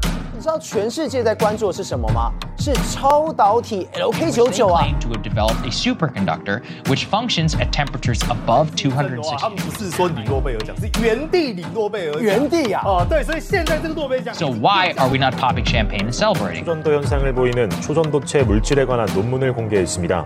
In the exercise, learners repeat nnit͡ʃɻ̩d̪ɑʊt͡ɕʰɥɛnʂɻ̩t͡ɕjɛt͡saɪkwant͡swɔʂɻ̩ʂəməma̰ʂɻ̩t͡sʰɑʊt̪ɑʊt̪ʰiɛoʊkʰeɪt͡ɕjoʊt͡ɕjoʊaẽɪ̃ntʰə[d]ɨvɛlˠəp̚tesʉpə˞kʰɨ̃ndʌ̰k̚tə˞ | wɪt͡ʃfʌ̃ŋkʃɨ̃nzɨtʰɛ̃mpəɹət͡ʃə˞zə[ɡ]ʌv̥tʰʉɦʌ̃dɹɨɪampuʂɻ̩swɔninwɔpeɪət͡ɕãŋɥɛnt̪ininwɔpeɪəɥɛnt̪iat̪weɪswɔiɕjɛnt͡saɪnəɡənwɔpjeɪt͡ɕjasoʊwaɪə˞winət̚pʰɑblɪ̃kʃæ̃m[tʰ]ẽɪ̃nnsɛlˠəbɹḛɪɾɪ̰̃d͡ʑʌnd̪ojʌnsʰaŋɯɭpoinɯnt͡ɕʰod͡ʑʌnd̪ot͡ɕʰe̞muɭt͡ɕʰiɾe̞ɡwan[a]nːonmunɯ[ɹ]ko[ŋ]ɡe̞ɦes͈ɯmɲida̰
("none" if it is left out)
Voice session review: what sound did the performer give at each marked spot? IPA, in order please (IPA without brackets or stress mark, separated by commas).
d, b, pʰ, a, ɭ, ŋ